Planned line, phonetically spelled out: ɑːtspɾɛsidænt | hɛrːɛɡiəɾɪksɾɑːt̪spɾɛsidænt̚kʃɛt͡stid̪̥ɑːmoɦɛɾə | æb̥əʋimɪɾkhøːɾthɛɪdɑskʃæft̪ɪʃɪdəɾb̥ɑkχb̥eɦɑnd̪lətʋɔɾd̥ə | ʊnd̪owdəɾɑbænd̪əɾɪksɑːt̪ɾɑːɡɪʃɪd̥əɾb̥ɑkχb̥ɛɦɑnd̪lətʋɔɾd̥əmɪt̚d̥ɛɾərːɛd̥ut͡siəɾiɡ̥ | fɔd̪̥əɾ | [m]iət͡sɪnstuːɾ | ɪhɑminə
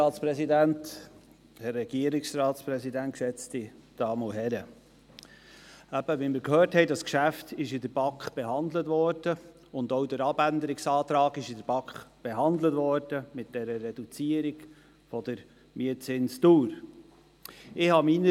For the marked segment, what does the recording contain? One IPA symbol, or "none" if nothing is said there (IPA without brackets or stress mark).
m